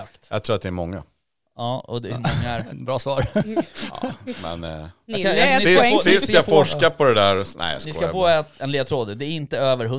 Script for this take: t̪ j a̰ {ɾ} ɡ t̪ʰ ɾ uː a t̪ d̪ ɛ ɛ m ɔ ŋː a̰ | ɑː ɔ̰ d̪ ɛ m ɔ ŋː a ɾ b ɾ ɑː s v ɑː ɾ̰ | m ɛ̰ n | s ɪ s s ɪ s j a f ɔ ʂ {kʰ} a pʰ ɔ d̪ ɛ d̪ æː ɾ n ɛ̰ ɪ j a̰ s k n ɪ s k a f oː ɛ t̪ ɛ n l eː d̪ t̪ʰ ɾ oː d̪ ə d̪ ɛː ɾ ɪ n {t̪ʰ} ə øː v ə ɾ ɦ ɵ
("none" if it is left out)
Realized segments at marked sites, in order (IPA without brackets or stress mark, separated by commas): none, k, t̪